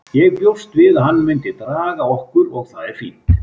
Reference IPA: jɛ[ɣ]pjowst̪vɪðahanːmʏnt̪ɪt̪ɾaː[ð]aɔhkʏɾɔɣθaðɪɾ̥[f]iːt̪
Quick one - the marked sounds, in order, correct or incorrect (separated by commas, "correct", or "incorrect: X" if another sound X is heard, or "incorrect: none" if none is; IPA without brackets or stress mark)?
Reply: correct, incorrect: ɣ, correct